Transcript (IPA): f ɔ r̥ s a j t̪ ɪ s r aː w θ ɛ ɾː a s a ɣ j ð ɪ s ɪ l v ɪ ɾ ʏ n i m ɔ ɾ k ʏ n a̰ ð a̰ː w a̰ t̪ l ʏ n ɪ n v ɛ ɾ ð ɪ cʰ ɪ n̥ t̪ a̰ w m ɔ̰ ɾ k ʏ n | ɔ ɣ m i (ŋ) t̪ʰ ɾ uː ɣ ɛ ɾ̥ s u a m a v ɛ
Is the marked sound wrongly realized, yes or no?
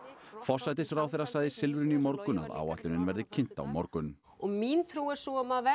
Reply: yes